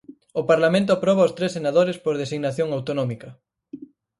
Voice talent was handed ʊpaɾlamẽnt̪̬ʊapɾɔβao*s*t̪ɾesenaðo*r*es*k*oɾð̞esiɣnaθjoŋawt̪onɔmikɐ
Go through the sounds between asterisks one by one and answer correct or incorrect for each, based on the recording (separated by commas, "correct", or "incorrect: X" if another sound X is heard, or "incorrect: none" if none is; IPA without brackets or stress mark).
correct, incorrect: ɾ, incorrect: p